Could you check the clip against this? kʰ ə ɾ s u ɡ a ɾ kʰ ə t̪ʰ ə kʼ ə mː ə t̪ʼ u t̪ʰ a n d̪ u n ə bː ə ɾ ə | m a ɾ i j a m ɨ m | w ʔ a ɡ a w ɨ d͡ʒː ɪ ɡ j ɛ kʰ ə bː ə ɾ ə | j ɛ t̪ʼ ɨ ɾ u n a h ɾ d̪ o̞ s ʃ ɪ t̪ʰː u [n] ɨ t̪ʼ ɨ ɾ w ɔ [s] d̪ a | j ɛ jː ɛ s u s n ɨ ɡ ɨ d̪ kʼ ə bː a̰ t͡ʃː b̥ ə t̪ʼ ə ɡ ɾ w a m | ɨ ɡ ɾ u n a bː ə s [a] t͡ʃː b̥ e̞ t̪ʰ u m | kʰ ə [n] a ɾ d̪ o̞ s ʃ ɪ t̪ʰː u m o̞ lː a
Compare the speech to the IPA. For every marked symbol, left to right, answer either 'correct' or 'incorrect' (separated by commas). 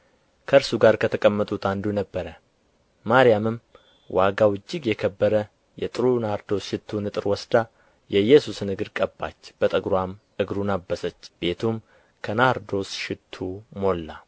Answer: correct, correct, incorrect, correct